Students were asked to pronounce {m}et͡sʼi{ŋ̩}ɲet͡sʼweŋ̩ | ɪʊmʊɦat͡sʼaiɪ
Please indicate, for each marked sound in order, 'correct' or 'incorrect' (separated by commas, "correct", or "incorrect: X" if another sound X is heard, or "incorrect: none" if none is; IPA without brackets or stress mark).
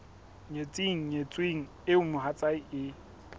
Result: incorrect: ɲ, correct